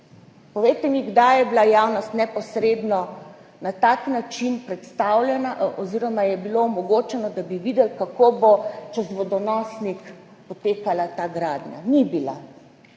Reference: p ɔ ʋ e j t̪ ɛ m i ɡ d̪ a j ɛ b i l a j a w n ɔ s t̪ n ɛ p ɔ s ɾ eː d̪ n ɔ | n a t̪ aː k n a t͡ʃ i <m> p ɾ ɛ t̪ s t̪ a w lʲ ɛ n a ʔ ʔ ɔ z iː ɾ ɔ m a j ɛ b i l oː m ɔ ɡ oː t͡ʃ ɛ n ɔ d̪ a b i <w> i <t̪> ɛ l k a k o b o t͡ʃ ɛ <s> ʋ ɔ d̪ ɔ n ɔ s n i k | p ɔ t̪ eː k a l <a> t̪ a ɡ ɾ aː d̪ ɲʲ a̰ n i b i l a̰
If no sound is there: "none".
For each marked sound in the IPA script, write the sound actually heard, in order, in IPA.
n, ʋ, d̪, z, a

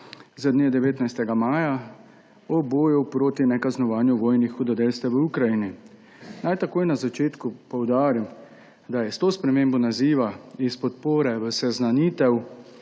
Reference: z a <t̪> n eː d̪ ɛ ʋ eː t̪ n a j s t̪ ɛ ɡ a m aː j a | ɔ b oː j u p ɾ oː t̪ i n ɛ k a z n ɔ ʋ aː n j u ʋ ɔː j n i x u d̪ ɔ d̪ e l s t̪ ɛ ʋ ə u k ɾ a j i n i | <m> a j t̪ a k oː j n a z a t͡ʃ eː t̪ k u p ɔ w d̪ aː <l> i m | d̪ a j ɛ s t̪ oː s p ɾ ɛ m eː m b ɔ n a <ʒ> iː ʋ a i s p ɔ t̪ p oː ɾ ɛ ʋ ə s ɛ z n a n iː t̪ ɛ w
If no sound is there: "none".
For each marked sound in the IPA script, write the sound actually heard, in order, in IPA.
d̪, n, ɾ, z

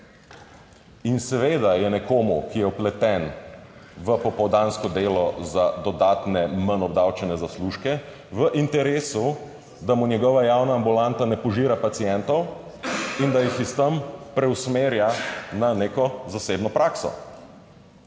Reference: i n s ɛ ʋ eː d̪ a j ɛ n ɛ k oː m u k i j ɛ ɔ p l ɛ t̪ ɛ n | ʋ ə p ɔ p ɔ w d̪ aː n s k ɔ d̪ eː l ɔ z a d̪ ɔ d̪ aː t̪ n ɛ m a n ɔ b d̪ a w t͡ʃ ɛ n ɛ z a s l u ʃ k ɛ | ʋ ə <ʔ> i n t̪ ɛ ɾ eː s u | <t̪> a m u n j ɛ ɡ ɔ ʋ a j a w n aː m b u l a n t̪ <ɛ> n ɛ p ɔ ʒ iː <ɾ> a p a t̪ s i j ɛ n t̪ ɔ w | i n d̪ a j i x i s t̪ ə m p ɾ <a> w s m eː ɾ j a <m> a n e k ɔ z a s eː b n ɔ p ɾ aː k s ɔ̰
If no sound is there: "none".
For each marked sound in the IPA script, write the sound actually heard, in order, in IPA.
ʔ, d̪, a, ɾ, ɛ, n

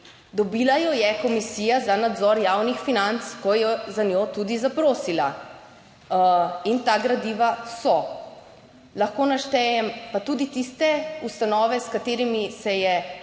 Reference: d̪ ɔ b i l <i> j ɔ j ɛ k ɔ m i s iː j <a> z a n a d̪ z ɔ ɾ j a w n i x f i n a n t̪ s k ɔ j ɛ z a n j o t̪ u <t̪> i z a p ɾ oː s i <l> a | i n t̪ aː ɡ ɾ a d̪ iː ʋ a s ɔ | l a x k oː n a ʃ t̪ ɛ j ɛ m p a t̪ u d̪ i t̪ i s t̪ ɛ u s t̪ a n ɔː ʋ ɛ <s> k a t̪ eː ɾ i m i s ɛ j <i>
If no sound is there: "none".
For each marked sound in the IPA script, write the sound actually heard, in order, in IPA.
a, a, d̪, l, s, ɛ

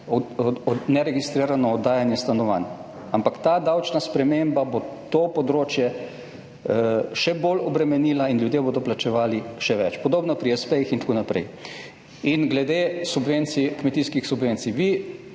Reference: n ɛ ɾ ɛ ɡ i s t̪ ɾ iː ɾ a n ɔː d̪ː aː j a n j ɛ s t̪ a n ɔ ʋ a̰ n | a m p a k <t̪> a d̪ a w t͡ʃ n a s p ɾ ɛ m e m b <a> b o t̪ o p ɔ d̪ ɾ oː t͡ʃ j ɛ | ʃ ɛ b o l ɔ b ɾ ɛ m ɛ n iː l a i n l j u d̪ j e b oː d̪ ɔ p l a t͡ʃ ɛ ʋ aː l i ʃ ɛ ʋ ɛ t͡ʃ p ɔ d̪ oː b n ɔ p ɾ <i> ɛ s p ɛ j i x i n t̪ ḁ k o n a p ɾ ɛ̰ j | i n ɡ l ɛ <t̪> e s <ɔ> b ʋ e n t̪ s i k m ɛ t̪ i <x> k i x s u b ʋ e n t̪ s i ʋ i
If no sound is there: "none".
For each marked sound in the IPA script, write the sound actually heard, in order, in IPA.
t̪, a, i, d̪, u, s

